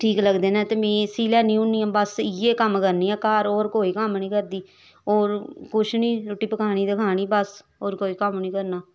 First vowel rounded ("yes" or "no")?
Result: no